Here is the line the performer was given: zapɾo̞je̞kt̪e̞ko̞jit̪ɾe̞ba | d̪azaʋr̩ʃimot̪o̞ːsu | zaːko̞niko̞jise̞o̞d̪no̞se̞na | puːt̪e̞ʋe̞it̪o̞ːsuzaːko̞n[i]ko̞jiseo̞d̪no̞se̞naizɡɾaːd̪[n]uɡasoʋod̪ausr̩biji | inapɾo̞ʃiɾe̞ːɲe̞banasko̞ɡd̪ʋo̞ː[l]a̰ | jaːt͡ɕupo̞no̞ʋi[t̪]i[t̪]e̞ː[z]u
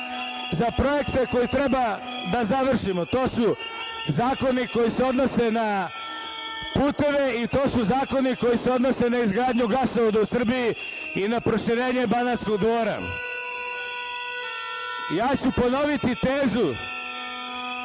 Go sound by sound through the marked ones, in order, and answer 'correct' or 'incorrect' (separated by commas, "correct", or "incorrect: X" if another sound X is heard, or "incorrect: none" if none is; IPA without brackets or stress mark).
correct, incorrect: ɲ, incorrect: ɾ, correct, correct, correct